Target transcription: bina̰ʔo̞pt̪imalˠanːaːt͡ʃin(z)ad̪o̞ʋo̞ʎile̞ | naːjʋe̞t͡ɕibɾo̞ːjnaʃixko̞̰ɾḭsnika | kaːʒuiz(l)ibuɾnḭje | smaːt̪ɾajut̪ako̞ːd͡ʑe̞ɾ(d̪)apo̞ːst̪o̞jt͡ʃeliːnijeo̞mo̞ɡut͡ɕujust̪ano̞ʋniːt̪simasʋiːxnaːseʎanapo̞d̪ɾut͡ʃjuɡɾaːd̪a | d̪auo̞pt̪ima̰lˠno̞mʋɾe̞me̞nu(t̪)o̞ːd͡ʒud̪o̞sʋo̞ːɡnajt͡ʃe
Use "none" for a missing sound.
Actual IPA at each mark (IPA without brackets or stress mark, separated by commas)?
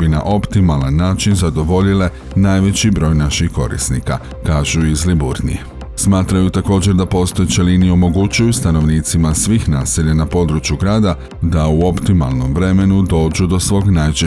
z, l, d̪, d̪